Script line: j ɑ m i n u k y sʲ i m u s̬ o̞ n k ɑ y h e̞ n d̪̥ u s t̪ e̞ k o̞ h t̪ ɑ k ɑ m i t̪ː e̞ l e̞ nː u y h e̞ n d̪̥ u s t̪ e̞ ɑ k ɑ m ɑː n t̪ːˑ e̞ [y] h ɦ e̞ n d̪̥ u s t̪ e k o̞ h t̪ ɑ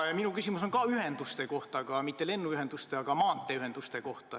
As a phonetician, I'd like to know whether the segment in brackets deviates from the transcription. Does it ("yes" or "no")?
no